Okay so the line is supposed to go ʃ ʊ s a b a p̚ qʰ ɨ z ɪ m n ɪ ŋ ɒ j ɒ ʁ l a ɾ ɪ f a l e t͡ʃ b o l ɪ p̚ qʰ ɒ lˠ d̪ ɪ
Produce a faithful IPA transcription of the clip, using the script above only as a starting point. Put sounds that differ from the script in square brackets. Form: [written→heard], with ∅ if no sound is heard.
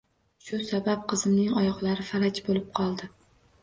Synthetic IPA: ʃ ʊ s a b a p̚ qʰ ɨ z ɪ m n ɪ ŋ ɒ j ɒ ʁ l a ɾ ɪ f a l [e→a] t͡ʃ b o l ɪ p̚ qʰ ɒ lˠ d̪ ɪ